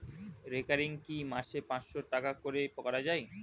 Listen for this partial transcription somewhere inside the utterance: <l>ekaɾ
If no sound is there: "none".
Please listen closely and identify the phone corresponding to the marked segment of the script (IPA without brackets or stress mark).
ɾ